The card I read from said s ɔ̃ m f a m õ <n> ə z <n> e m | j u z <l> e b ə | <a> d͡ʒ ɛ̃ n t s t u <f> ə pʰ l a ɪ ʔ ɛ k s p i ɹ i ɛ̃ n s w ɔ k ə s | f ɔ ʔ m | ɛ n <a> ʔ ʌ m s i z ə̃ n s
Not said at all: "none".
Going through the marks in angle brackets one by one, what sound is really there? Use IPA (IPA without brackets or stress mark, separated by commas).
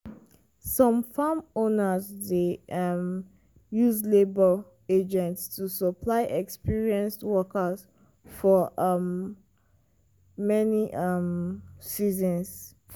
n, d, l, e, s, i